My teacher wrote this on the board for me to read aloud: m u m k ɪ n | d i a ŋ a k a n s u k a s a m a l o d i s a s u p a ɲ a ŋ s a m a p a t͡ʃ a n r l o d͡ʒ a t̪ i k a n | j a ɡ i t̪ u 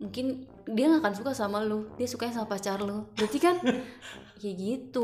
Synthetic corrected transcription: m u ŋ k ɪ n | d i a ŋ a k a n s u k a s a m a l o d i a s u k a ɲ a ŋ s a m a p a t͡ʃ a r l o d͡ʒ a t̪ i k a n | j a ɡ i t̪ u